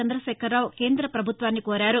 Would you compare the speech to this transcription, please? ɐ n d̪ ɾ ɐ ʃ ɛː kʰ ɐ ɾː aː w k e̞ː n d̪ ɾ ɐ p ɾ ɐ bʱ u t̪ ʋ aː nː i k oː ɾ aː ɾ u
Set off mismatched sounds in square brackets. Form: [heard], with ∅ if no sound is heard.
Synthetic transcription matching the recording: ɐ n d̪ ɾ ɐ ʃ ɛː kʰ ɐ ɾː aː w k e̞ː n d̪ ɾ ɐ p ɾ ɐ bʱ u t̪ ʋ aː nː i k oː ɾ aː ɾ u